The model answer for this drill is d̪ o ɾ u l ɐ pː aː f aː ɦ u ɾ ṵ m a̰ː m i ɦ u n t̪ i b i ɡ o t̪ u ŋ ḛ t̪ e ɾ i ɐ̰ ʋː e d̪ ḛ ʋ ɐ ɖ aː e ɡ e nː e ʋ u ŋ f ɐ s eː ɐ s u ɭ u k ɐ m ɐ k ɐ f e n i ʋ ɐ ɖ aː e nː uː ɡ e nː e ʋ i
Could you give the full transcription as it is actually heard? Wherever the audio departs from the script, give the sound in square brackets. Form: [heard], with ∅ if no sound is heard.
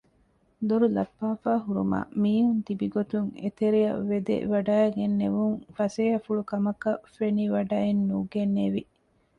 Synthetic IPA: d̪ o ɾ u l ɐ pː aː f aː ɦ u ɾ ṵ m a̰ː m [iː] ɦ u n t̪ i b i ɡ o t̪ u ŋ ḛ t̪ e ɾ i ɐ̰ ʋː e d̪ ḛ ʋ ɐ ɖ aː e ɡ e nː e ʋ u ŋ f ɐ s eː ɐ [f] u ɭ u k ɐ m ɐ k ɐ f e n i ʋ ɐ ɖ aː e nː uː ɡ e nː e ʋ i